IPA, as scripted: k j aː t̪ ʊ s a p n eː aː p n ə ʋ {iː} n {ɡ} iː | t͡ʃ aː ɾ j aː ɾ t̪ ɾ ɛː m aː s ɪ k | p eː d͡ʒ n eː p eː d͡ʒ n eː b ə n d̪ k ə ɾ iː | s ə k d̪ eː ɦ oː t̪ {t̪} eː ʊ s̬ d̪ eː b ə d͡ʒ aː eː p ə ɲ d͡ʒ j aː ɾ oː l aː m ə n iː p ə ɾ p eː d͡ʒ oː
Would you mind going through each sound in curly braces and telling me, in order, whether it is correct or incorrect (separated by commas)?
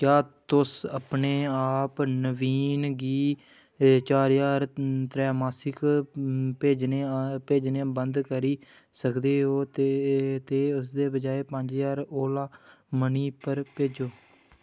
correct, correct, correct